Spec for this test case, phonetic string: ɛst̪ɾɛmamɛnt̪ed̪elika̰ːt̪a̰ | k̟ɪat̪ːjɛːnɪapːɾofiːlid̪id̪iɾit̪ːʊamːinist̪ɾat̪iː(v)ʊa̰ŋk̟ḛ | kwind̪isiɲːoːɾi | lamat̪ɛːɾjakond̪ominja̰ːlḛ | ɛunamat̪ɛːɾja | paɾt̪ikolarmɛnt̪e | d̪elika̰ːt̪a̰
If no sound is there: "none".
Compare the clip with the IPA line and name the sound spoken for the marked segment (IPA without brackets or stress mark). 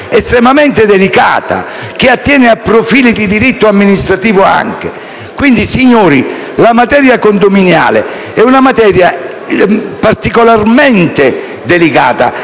v